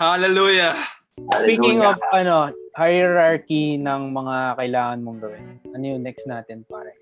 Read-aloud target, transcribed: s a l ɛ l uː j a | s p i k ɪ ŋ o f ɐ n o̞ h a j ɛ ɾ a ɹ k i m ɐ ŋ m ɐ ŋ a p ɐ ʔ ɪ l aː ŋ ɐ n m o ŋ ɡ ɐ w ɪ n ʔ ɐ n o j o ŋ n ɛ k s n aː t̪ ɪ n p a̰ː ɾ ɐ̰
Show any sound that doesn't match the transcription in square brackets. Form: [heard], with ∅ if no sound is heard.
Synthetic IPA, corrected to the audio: [h] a l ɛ l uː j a | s p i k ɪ ŋ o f ɐ n o̞ h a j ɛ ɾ a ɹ k i [n] ɐ ŋ m ɐ ŋ a [k] ɐ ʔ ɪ l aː ŋ ɐ n m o ŋ ɡ ɐ w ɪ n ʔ ɐ n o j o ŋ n ɛ k s n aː t̪ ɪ n p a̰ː ɾ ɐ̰